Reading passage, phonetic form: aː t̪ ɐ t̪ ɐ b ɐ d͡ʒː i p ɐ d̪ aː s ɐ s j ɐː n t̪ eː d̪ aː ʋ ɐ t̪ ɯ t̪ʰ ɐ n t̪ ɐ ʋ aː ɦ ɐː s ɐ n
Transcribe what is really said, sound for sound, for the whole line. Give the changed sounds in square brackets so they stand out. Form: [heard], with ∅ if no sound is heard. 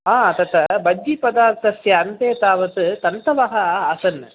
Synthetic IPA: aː t̪ ɐ t̪ ɐ b ɐ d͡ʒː i p ɐ d̪ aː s ɐ s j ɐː n t̪ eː [t̪] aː ʋ ɐ t̪ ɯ [t̪] ɐ n t̪ ɐ ʋ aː ɦ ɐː s ɐ n